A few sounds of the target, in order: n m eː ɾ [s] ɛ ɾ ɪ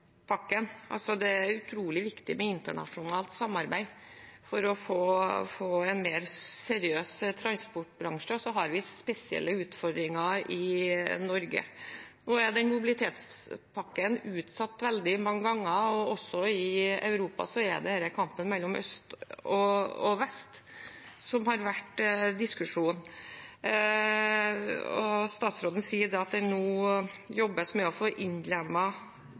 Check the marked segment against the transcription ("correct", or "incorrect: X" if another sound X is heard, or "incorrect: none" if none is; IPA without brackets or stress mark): correct